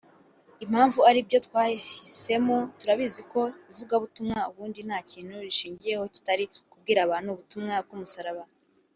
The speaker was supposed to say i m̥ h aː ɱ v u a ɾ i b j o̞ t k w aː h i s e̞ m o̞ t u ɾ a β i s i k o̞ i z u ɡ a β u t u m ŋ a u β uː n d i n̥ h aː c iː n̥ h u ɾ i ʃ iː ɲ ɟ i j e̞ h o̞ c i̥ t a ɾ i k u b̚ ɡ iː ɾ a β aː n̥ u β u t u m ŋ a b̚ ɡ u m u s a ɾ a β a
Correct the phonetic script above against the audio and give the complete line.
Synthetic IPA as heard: i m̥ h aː ɱ v u a ɾ i b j o̞ t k w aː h i s e̞ m o̞ t u ɾ a β i z i k o̞ i v u ɡ a β u t u m ŋ a u β uː n d i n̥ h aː c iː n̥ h u ɾ i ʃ iː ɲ ɟ i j e̞ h o̞ c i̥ t a ɾ i k u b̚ ɡ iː ɾ a β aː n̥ u β u t u m ŋ a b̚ ɡ u m u s a ɾ a β a